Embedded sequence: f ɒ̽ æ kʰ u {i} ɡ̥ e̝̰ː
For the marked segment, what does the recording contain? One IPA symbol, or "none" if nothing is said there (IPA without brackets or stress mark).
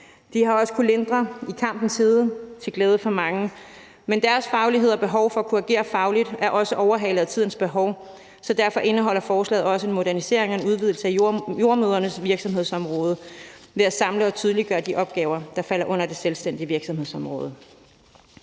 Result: æ